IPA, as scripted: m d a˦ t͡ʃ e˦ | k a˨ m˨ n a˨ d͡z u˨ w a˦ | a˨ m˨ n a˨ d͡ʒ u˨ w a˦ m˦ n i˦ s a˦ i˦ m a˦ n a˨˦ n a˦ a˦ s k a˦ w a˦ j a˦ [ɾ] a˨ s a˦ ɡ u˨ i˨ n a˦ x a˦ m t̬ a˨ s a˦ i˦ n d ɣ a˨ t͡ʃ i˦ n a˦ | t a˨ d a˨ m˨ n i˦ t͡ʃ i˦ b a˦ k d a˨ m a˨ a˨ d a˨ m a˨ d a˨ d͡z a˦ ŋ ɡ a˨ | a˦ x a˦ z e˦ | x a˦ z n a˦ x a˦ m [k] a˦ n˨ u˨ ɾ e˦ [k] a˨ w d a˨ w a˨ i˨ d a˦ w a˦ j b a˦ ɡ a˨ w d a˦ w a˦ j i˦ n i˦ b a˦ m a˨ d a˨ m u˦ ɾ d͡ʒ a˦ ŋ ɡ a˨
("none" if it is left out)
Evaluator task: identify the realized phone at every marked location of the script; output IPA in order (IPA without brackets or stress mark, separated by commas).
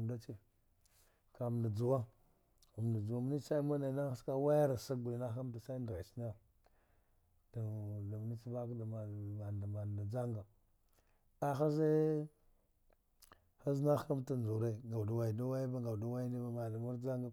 ɾ, t, ɡ